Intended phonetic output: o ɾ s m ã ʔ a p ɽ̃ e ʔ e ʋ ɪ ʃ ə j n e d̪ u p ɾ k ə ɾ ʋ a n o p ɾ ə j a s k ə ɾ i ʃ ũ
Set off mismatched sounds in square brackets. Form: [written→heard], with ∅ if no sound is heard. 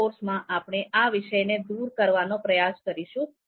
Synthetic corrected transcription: o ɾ s m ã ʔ a p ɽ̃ e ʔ [e→a] ʋ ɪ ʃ ə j n e d̪ u [p→∅] ɾ k ə ɾ ʋ a n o p ɾ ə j a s k ə ɾ i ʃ ũ